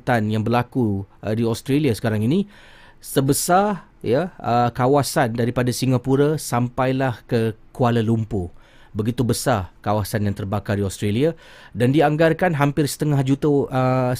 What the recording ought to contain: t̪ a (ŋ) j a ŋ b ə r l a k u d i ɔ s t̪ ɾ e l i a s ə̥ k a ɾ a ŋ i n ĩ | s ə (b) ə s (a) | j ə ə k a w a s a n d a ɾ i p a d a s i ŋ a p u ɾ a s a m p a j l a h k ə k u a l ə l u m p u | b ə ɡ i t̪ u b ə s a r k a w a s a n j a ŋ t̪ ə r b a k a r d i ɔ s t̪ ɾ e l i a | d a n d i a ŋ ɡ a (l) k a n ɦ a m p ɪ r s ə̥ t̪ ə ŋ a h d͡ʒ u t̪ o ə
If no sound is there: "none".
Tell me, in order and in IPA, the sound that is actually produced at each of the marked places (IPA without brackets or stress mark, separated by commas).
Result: n, b, a, r